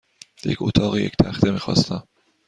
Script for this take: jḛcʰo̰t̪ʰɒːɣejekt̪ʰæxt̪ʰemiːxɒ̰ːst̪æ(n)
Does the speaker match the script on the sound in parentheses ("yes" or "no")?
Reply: no